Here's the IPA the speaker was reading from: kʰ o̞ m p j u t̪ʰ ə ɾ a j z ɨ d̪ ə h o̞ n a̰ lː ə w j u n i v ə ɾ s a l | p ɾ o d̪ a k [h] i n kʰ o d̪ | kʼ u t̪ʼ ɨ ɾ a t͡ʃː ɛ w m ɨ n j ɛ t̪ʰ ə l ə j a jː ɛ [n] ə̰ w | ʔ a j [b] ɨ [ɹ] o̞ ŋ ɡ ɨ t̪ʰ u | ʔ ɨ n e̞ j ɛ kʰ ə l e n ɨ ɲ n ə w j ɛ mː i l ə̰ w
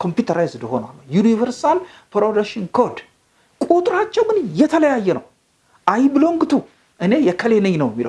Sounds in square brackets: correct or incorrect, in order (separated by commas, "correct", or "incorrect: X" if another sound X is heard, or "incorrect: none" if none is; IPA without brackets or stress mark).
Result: incorrect: ʃ, correct, correct, incorrect: l